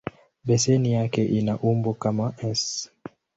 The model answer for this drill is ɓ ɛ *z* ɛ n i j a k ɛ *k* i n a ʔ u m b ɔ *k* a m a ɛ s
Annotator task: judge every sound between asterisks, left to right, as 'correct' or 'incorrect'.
incorrect: s, incorrect: ʔ, correct

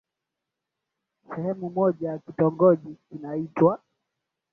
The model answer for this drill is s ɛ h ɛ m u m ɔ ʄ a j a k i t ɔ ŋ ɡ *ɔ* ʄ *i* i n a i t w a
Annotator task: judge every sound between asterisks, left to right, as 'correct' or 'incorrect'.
correct, correct

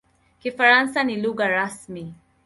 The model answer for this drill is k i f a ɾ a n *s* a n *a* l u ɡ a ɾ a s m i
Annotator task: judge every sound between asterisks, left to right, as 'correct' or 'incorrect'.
correct, incorrect: i

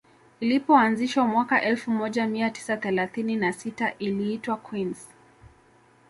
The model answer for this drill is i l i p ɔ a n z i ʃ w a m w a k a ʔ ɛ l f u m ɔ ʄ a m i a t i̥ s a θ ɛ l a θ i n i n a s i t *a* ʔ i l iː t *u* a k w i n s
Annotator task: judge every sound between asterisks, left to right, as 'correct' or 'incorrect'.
correct, incorrect: w

